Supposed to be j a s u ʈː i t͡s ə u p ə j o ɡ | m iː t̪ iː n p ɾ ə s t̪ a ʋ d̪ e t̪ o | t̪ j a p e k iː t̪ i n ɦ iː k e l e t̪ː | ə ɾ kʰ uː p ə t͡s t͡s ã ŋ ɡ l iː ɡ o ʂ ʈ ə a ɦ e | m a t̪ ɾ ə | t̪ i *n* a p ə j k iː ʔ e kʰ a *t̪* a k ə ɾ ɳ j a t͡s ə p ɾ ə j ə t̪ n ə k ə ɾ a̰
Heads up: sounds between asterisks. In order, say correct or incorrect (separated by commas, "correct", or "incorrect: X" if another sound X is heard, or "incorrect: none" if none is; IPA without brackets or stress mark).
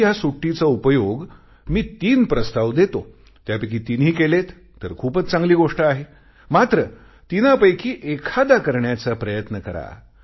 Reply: correct, incorrect: d̪